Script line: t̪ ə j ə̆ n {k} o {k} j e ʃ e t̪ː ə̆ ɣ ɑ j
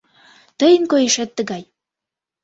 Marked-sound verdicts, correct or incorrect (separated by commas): correct, incorrect